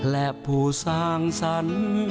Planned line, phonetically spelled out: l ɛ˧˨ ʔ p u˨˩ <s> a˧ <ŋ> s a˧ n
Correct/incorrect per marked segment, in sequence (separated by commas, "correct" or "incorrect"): correct, correct